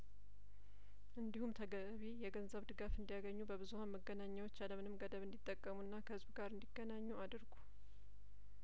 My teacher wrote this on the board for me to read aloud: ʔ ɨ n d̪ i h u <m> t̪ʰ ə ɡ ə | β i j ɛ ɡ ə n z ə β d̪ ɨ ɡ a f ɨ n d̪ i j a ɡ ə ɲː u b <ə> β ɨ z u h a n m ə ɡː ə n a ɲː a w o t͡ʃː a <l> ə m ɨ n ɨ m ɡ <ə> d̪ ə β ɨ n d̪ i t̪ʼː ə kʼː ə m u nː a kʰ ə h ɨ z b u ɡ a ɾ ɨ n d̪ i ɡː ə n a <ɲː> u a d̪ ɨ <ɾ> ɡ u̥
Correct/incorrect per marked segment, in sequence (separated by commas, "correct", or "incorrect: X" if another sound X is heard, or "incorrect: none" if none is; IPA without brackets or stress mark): correct, correct, correct, correct, correct, correct